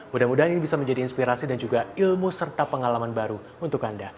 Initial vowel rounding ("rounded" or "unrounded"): rounded